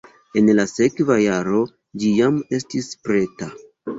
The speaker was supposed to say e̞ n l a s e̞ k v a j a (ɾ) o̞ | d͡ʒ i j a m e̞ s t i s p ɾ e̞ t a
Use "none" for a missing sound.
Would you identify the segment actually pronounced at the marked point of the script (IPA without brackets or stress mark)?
ɾ